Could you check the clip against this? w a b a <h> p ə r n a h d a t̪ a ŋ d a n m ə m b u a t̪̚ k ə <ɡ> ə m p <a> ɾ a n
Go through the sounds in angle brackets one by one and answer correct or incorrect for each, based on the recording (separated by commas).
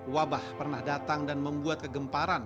correct, correct, correct